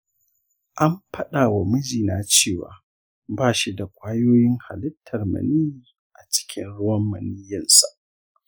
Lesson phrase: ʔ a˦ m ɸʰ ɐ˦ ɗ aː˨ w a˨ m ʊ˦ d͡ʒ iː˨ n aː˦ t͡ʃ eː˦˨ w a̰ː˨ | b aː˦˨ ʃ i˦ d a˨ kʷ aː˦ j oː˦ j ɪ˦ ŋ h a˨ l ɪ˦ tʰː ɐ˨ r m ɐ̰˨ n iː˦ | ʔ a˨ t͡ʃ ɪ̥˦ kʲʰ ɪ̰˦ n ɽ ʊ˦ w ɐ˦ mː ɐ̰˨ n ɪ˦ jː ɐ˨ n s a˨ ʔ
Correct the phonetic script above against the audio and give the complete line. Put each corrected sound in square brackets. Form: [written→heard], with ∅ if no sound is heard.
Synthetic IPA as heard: ʔ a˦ m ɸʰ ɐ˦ ɗ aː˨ w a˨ m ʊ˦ d͡ʒ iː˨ n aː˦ t͡ʃ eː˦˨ w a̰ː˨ | b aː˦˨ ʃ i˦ d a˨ kʷ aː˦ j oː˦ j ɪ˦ ŋ h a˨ l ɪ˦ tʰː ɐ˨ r m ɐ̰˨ n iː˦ | ʔ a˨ t͡ʃ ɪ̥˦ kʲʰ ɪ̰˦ n ɽ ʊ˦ w ɐ˦ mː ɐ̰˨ n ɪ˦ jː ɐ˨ n s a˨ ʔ